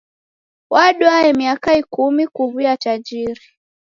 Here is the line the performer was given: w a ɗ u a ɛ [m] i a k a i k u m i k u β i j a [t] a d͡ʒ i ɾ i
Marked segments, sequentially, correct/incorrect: correct, correct

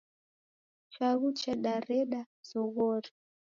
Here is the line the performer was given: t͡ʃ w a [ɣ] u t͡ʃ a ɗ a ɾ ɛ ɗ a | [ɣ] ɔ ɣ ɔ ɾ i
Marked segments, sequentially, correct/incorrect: correct, incorrect

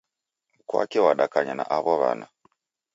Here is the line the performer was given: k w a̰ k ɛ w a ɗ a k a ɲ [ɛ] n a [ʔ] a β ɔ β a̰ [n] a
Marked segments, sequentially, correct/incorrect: incorrect, correct, correct

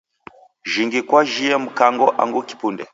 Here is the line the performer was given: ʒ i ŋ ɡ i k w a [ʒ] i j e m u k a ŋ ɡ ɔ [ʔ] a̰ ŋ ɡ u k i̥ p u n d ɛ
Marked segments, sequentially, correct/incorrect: correct, correct

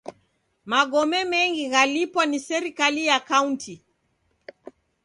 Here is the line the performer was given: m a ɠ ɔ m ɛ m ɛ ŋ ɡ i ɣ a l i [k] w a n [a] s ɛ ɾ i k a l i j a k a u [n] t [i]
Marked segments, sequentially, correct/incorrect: incorrect, incorrect, correct, correct

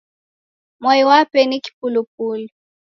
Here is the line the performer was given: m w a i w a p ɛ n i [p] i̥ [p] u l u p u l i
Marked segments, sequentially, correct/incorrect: incorrect, correct

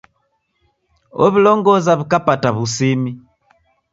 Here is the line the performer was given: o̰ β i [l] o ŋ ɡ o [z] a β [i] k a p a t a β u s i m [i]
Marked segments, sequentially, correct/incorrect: correct, correct, correct, correct

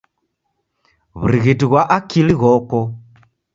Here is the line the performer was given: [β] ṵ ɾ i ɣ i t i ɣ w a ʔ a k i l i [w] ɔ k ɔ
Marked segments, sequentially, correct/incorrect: correct, incorrect

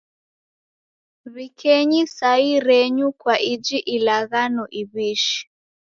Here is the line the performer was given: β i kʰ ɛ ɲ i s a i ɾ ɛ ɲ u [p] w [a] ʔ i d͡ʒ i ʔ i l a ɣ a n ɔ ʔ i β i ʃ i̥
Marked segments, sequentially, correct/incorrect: incorrect, correct

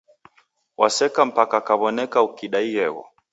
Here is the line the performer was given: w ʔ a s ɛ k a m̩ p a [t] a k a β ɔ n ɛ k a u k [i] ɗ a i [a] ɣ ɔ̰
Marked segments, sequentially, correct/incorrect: incorrect, correct, incorrect

